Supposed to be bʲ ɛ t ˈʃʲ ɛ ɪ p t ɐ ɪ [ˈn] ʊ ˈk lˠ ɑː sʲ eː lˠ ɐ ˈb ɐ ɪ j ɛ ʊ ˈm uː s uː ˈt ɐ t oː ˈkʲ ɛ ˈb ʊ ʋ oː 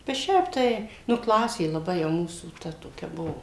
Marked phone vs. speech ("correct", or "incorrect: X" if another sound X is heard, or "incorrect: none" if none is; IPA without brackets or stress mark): correct